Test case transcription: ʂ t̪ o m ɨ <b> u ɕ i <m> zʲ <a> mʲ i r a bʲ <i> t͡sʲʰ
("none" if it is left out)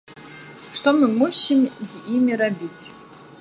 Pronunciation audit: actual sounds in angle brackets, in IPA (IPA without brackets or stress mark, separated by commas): m, m, i, i